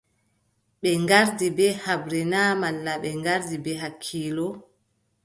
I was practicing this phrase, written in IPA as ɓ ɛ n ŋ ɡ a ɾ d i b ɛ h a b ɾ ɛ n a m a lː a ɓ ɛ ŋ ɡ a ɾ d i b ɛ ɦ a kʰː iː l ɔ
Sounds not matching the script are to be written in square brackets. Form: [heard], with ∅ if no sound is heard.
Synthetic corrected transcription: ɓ ɛ [∅] ŋ ɡ a ɾ d i b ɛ h a b ɾ ɛ n a m a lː a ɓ ɛ ŋ ɡ a ɾ d i b ɛ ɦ a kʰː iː l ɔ